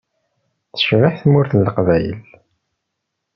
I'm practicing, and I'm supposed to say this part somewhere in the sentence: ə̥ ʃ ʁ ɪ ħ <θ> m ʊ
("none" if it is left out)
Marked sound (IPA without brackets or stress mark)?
θ